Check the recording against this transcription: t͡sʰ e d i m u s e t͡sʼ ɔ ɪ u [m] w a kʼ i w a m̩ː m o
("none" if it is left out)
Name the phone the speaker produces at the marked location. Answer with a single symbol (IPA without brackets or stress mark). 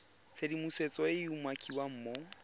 m